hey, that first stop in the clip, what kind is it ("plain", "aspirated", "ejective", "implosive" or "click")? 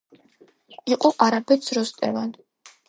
ejective